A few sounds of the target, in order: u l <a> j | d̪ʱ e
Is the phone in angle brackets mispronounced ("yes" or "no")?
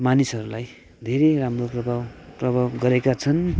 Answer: no